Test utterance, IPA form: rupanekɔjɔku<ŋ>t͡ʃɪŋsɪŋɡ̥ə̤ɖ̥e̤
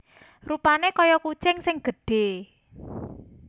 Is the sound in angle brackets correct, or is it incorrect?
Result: incorrect